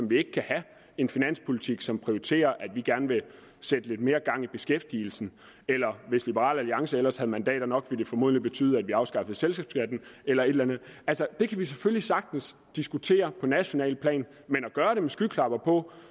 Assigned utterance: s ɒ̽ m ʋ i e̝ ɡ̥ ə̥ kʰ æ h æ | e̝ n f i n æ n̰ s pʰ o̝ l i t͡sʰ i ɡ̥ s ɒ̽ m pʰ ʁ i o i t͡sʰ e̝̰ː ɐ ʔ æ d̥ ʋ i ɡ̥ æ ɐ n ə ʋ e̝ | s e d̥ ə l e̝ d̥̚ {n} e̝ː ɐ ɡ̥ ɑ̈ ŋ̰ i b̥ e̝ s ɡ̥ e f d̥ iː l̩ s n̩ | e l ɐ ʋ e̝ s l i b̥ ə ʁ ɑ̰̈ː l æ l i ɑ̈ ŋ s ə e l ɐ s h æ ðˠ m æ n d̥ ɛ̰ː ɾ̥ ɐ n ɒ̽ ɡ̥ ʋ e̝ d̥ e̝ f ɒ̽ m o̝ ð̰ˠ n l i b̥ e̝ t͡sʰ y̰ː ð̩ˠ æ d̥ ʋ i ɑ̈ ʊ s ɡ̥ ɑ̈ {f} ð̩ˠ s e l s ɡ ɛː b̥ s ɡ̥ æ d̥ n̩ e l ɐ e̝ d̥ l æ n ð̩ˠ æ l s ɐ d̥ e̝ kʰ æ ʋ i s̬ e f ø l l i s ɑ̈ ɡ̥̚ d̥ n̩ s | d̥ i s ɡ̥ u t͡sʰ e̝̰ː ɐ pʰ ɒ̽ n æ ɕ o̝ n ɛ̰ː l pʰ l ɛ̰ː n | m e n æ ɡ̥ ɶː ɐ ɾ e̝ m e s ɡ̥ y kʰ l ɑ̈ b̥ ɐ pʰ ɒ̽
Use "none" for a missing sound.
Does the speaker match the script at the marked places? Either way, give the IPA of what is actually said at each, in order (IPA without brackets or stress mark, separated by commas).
m, f